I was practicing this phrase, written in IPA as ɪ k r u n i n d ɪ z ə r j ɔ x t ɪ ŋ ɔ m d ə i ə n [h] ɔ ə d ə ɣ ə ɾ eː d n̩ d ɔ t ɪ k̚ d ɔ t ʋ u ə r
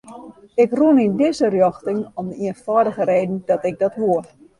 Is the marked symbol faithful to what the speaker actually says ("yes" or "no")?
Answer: no